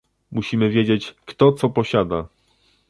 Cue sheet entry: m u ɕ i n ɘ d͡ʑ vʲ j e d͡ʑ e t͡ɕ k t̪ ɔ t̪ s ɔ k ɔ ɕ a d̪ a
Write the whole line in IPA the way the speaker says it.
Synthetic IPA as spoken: m u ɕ i m ɘ vʲ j e d͡ʑ e t͡ɕ k t̪ ɔ t̪ s ɔ p ɔ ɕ a d̪ a